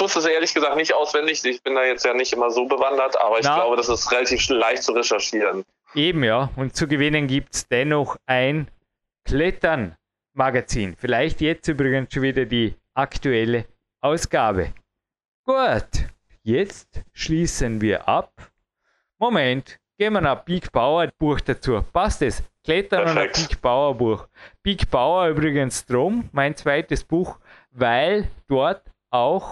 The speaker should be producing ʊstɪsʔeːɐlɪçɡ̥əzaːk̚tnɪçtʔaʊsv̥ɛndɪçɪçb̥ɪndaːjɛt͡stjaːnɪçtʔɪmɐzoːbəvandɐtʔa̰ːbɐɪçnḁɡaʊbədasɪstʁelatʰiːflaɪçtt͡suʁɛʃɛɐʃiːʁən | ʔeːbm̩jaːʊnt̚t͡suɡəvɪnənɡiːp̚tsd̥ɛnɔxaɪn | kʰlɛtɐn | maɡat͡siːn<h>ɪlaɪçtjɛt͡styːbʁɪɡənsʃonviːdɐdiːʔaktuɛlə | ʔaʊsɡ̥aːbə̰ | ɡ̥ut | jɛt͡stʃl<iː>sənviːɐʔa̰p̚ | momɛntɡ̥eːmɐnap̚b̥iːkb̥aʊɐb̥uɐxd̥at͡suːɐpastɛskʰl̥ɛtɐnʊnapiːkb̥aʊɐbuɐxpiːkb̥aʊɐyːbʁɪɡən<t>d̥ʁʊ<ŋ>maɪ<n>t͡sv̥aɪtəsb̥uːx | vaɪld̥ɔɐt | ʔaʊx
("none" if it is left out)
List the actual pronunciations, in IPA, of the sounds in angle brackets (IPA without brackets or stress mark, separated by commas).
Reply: f, iː, s, m, n